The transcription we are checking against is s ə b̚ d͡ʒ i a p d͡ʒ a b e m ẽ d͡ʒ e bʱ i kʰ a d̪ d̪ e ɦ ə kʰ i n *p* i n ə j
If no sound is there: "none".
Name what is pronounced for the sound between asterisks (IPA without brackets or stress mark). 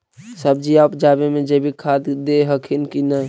k